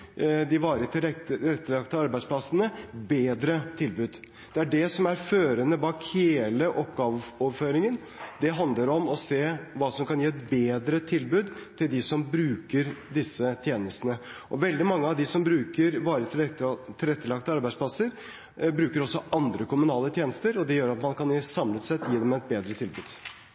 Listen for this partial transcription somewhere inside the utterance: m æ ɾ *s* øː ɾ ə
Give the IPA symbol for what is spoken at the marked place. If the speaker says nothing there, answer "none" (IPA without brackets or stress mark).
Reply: f